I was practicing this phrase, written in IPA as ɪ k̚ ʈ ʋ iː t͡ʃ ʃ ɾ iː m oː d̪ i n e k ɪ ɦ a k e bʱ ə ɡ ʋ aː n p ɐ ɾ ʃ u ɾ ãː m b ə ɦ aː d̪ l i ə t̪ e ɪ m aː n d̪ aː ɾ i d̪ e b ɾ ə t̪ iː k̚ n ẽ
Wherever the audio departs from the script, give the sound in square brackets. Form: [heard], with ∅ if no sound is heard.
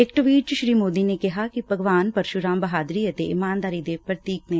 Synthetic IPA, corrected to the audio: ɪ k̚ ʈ ʋ iː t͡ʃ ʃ ɾ iː m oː d̪ i n e k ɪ ɦ a k [i] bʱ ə ɡ ʋ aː n p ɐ ɾ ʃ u ɾ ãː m b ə ɦ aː d̪ [ɾ] i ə t̪ e ɪ m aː n d̪ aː ɾ i d̪ e [p] ɾ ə t̪ iː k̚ n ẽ